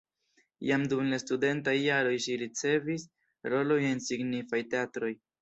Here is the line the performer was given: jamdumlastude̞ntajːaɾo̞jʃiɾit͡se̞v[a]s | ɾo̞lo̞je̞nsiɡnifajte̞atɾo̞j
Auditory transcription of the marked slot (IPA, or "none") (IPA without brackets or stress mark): i